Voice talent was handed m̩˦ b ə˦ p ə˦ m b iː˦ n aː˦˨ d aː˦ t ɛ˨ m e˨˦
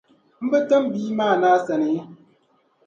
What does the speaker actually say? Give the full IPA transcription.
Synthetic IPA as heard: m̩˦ b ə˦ t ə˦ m b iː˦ m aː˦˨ n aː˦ s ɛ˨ n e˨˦

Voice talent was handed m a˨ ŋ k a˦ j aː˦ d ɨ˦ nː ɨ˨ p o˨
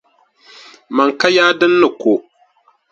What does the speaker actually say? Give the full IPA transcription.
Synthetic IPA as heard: m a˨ ŋ k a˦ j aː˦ d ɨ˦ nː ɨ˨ k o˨

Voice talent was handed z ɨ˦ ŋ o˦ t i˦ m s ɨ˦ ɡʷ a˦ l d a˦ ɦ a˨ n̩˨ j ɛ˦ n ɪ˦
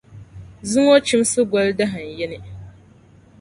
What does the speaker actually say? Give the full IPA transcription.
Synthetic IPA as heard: z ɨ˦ ŋ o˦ t͡ʃ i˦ m s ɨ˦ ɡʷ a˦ l d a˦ ɦ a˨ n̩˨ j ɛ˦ n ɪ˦

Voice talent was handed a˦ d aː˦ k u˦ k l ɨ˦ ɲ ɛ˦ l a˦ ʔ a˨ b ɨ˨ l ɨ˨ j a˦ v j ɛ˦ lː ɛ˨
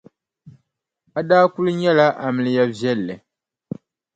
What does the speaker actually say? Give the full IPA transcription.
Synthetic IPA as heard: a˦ d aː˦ k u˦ l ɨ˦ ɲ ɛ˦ l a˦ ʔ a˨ m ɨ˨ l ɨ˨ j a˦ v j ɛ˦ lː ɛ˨

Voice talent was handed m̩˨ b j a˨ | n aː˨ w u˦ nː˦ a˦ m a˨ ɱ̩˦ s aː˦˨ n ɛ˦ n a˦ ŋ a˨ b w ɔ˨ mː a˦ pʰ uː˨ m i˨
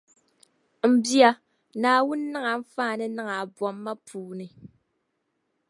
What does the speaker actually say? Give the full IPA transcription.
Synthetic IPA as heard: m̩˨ b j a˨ | n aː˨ w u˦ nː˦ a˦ ŋ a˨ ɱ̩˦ f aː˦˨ n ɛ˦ n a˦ ŋ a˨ b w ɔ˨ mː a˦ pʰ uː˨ n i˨

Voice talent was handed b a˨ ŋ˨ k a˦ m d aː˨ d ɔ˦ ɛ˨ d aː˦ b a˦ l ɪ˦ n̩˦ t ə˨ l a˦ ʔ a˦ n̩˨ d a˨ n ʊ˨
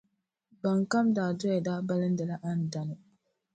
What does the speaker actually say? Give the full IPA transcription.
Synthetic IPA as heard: b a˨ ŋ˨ k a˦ m d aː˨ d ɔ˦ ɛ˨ d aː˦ b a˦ l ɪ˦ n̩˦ d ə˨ l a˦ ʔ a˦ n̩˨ d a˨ n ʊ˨

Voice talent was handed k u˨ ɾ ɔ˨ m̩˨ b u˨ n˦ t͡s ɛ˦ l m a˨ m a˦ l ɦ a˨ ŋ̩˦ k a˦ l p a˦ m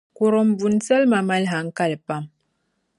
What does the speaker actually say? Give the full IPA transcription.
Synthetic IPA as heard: k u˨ ɾ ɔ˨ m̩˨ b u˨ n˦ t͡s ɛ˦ l m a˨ m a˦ l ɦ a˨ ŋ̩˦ k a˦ l p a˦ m

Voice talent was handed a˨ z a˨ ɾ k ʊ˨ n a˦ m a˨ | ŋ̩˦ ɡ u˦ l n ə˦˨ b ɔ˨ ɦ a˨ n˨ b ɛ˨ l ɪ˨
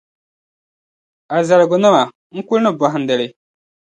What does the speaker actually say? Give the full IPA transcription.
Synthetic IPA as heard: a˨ z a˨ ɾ ɡ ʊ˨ n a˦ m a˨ | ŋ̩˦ k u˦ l n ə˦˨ b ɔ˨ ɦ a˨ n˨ d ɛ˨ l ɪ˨

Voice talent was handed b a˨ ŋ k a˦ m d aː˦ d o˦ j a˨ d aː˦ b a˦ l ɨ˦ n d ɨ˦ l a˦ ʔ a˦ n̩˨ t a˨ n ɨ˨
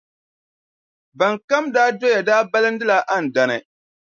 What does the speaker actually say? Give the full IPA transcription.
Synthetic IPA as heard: b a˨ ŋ k a˦ m d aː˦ d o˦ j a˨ d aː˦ b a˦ l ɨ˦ n d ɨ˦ l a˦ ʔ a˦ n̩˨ d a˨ n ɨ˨

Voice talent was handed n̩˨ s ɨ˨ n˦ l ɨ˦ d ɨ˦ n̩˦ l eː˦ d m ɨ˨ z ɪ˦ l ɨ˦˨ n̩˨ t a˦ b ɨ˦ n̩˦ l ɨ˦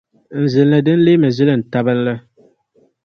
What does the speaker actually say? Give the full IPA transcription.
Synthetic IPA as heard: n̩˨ z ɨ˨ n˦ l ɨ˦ d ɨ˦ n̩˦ l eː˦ m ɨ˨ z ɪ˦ l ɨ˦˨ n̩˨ t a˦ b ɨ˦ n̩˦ l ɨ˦

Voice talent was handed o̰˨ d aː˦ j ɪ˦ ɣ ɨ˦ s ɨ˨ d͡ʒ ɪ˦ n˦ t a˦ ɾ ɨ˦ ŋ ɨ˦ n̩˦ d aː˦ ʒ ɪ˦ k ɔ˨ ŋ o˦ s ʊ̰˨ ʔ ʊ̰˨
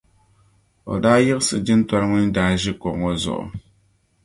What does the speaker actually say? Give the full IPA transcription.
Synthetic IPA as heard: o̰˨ d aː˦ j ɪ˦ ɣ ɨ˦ s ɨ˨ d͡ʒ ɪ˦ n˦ t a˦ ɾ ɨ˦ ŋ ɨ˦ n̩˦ d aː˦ ʒ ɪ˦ k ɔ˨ ŋ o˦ z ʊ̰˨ ʔ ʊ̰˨

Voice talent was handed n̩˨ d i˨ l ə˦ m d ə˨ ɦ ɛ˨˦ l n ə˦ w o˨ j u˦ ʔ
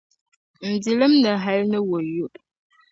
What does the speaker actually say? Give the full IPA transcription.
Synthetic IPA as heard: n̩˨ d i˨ l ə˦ m n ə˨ ɦ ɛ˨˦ l n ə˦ w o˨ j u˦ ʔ

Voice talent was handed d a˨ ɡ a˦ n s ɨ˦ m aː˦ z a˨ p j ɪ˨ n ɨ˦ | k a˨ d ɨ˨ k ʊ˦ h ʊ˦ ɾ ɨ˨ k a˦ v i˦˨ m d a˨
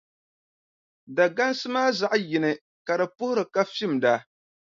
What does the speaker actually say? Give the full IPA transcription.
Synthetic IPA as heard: d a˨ ɡ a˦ n s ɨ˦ m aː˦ z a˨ ʔ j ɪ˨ n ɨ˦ | k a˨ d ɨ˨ p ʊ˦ h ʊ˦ ɾ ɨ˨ k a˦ f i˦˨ m d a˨

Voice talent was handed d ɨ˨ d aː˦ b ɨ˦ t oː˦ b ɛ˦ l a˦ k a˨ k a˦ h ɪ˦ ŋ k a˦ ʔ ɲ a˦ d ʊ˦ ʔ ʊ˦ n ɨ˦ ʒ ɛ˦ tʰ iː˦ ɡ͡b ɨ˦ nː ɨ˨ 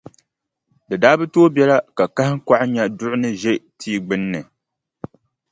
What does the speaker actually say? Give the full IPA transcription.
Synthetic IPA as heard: d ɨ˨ d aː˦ b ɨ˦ t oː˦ b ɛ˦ l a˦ k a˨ k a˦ h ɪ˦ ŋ k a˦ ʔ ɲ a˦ d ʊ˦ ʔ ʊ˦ n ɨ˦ ʒ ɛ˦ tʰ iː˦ ɡ͡b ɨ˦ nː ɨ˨

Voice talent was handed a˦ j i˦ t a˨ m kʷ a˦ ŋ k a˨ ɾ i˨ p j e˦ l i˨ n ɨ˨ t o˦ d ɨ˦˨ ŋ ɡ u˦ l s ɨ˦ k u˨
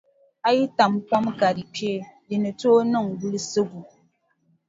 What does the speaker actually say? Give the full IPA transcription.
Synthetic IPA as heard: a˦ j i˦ t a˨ m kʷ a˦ m k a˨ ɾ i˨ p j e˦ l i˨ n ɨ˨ t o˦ n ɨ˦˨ ŋ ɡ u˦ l s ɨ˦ ɡ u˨

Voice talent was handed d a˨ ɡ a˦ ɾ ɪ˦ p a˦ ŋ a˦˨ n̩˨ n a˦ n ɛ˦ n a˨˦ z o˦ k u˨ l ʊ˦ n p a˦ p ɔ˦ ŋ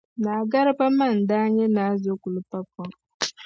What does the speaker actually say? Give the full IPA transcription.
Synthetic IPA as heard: n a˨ ɡ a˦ ɾ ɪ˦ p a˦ m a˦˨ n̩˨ d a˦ ɲ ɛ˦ n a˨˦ z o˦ k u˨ l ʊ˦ p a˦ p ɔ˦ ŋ

